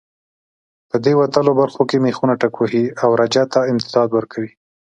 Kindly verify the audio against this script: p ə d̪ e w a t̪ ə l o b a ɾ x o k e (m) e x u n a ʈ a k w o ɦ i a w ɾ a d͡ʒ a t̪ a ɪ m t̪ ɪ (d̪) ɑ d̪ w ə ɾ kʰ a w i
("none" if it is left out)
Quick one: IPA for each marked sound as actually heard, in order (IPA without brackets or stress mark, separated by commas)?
m, d̪